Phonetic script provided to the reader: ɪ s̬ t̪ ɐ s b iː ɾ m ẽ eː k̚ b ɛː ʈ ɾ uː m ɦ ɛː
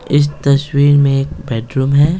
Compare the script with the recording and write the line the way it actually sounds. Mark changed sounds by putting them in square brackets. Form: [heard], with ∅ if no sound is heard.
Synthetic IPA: ɪ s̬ t̪ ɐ s [w] iː ɾ m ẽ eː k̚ b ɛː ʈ ɾ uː m ɦ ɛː